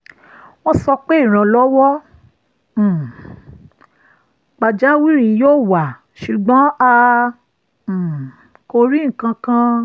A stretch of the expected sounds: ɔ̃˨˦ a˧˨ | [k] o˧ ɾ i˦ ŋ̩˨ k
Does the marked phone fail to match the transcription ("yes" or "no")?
no